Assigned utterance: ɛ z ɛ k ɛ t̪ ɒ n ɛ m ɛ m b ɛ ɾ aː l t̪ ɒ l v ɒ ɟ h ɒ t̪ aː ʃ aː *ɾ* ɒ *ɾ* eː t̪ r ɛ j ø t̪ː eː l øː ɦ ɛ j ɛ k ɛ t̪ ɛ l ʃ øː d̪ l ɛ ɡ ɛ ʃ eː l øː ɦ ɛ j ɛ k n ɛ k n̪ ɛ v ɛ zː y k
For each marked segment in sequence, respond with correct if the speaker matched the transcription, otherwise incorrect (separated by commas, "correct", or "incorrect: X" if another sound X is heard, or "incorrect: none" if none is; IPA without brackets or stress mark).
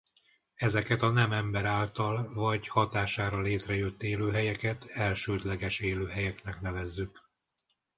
correct, incorrect: l